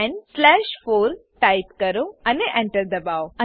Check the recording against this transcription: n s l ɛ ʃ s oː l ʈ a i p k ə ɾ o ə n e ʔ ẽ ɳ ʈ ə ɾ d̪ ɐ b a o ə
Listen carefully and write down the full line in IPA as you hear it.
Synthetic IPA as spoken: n s l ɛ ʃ f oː ɾ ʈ a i p k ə ɾ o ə n e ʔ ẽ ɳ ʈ ə ɾ d̪ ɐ b a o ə

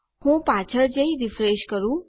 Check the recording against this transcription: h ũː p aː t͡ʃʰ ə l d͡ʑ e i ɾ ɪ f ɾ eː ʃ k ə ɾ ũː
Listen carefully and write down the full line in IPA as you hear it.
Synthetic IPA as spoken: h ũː p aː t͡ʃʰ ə ɾ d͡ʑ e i ɾ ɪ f ɾ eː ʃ k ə ɾ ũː

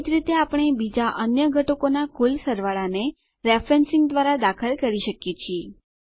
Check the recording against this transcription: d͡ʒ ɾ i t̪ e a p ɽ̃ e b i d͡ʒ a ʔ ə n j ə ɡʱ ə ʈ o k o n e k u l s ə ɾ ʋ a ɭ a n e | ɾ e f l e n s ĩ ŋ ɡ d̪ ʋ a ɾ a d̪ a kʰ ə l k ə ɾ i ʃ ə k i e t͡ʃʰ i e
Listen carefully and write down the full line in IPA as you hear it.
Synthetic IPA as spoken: d͡ʒ ɾ i t̪ e a p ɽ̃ e b i d͡ʒ a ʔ ə n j ə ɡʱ ə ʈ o k o n a k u l s ə ɾ ʋ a ɭ a n e | ɾ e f ɾ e n s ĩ ŋ ɡ d̪ ʋ a ɾ a d̪ a kʰ ə l k ə ɾ i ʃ ə k j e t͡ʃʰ i e

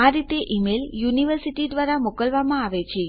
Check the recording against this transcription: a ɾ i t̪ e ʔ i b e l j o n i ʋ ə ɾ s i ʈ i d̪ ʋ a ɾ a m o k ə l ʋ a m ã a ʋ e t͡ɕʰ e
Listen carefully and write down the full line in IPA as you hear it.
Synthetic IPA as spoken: a ɾ i t̪ e ʔ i m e l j u n i ʋ ə ɾ s i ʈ i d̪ ʋ a ɾ a m o k ə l ʋ a m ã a ʋ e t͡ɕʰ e

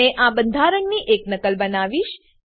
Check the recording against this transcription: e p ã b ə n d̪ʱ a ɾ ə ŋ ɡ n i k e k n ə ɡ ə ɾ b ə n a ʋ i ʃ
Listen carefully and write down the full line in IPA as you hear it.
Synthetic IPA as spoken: e ʔ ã b ə n d̪ʱ a ɾ ə ŋ ɡ n i ʔ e k n ə k ə l b ə n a ʋ i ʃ

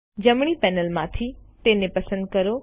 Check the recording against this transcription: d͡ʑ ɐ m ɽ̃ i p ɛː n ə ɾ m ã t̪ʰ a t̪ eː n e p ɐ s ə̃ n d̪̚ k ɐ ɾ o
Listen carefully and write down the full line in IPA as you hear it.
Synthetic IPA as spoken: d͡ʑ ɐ m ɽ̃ i p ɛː n ə l m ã t̪ʰ i t̪ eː n e p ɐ s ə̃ n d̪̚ k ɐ ɾ o

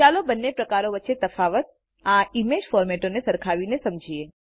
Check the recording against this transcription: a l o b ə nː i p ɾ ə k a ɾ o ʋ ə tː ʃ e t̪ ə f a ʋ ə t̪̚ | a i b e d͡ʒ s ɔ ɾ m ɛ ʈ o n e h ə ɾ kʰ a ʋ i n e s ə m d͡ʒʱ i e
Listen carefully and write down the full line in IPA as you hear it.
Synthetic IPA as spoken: a l o b ə nː e p ɾ ə k a ɾ o ʋ ə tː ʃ e t̪ ə f a ʋ ə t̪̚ | a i m e d͡ʒ f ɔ ɾ m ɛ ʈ o n e s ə ɾ kʰ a ʋ i n e s ə m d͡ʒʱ i e

